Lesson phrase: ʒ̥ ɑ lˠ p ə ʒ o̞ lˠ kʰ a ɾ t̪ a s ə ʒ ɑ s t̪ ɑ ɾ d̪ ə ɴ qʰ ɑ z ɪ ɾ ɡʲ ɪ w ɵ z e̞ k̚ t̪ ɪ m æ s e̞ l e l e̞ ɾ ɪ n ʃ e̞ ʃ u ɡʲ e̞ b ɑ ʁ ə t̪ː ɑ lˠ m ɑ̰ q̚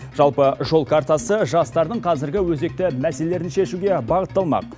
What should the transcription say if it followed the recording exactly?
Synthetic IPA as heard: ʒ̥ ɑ lˠ p ə ʒ o̞ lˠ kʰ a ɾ t̪ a s ə ʒ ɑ s t̪ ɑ ɾ d̪ ə ɴ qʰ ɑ z ɪ ɾ ɡʲ ɪ w ɵ z e̞ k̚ t̪ ɪ m æ s e̞ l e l e̞ ɾ ɪ n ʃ e̞ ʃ u ɡʲ e̞ b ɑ ʁ ə t̪ː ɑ lˠ m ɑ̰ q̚